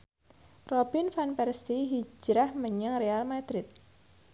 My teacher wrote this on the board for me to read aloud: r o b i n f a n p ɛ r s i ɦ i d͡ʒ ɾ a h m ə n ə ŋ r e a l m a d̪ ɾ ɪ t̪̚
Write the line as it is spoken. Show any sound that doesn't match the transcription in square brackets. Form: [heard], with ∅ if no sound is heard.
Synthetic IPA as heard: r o b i n f a n p ɛ r s i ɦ i d͡ʒ ɾ a h m ə [ɲ] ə ŋ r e a l m a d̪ ɾ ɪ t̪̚